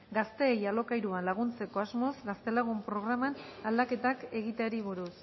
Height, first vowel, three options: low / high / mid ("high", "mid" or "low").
low